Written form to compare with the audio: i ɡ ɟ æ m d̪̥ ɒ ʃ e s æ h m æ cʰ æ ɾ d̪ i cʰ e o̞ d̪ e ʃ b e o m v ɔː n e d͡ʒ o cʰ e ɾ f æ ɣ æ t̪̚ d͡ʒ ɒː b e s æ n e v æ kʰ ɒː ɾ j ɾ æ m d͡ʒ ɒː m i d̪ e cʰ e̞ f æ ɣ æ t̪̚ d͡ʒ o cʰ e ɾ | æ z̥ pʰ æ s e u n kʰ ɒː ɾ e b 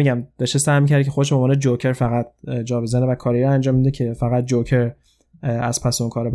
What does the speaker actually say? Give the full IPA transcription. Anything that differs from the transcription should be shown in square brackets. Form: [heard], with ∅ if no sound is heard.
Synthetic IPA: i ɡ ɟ æ m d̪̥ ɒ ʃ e s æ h m [i] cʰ æ ɾ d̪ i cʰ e o̞ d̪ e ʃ b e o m v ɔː n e d͡ʒ o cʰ e ɾ f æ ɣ æ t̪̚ d͡ʒ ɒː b e [z] æ n e v æ kʰ ɒː ɾ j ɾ æ [n] d͡ʒ ɒː m i d̪ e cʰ e̞ f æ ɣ æ t̪̚ d͡ʒ o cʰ e ɾ | æ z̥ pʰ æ s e u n kʰ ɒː ɾ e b